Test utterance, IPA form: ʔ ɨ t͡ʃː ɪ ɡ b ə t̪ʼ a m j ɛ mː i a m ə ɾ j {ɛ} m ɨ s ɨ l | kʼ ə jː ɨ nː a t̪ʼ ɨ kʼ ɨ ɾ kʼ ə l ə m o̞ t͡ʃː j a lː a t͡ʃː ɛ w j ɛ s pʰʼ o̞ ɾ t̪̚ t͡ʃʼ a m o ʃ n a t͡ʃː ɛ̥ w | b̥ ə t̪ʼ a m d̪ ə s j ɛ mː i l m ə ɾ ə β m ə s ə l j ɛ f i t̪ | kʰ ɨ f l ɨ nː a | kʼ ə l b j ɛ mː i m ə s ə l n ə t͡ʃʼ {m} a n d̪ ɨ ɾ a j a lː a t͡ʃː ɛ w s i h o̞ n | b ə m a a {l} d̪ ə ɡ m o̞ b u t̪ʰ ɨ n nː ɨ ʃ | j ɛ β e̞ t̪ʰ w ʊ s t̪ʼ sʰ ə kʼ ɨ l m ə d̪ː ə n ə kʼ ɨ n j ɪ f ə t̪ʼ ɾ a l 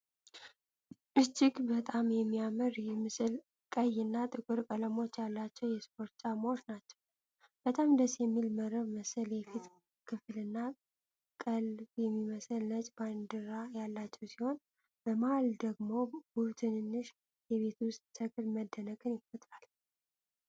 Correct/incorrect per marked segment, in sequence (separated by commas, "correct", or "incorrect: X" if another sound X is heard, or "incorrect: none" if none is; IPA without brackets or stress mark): correct, incorrect: b, correct